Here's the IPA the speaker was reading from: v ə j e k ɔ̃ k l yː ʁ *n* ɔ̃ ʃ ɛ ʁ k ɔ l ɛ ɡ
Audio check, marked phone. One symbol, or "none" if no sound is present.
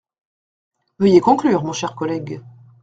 m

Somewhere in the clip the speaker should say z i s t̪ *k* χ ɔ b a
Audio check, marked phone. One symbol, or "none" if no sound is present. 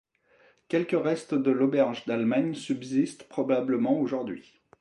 p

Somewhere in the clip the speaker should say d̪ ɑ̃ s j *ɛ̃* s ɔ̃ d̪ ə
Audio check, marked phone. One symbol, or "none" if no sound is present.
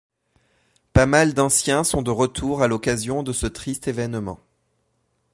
ɛ̃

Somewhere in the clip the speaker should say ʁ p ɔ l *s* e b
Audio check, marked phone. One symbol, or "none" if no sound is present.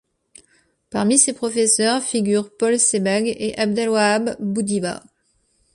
s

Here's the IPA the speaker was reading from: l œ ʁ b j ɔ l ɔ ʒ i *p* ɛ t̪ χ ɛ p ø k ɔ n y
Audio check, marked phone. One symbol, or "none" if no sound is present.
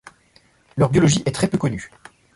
ʔ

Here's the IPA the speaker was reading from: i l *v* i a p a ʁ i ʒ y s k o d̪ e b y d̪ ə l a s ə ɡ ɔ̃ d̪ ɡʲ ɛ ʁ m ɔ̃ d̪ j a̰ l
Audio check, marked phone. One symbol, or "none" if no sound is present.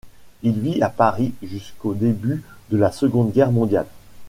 v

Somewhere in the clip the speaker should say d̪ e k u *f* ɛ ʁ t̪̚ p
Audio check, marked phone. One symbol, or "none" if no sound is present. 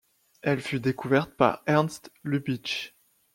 v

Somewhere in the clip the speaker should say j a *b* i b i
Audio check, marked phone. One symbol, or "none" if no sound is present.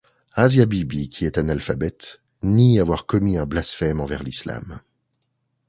b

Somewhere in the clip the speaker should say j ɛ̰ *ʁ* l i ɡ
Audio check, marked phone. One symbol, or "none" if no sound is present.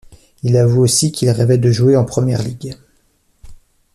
ʁ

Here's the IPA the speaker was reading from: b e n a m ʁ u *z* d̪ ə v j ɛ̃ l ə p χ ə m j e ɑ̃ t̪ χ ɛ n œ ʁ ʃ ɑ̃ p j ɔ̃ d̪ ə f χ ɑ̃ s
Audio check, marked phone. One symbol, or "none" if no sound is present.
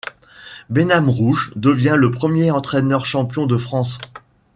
ʒ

